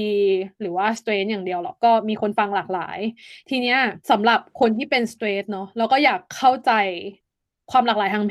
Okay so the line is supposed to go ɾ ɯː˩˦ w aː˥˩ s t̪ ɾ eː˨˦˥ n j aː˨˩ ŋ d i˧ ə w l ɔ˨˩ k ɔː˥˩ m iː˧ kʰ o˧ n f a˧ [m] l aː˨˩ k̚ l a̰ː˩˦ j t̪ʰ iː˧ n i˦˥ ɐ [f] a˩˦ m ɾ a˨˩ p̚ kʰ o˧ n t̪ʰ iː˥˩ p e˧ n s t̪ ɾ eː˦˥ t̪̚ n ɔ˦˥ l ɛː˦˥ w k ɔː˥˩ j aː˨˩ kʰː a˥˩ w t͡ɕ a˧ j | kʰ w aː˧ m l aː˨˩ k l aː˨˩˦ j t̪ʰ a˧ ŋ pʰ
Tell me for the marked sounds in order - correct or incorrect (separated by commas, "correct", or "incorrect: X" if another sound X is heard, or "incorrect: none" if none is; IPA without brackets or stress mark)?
incorrect: ŋ, incorrect: s